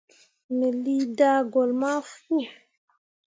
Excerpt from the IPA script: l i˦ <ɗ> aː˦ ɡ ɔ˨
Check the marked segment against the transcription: incorrect: d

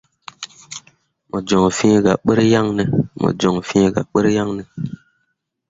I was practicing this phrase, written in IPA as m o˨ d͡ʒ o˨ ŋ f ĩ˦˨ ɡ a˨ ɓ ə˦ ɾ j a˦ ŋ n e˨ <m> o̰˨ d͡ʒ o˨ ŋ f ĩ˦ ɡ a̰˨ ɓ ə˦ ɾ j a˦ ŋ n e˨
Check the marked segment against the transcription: correct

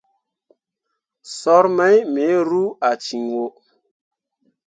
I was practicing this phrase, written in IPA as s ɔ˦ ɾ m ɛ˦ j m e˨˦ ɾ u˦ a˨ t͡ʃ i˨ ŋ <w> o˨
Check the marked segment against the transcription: correct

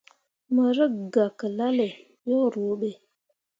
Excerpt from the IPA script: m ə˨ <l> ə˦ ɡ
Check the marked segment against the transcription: incorrect: ɾ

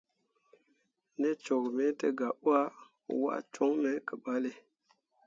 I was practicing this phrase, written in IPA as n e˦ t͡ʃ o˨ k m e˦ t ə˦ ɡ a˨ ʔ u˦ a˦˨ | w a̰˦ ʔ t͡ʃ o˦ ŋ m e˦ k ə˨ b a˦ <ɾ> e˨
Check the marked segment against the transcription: incorrect: l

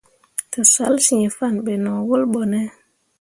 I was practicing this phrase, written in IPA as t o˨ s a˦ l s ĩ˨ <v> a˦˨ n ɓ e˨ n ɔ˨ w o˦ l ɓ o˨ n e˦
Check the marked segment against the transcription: incorrect: f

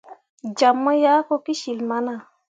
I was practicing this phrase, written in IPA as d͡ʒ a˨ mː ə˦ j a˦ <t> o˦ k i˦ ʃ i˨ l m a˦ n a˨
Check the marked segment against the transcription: incorrect: k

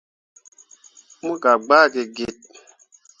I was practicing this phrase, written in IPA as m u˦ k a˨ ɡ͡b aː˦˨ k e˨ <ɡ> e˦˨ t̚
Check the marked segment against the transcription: correct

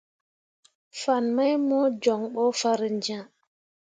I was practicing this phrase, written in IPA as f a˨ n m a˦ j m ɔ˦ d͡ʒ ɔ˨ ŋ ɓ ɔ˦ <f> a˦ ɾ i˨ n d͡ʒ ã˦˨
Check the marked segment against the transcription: correct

